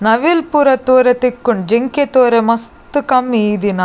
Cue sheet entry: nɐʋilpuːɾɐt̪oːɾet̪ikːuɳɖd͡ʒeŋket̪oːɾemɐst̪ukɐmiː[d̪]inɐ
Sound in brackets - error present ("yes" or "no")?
no